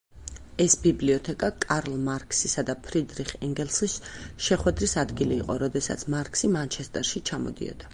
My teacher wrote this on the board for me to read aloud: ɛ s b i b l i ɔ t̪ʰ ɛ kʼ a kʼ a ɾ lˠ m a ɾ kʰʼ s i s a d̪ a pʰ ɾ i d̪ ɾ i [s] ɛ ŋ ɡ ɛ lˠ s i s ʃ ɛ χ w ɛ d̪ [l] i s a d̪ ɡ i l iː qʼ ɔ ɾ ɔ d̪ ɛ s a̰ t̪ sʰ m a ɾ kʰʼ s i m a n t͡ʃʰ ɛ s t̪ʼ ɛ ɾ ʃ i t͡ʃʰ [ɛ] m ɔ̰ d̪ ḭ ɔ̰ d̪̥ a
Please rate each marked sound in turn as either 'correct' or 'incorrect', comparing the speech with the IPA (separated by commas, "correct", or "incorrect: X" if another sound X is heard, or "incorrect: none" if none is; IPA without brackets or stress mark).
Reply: incorrect: χ, incorrect: ɾ, incorrect: a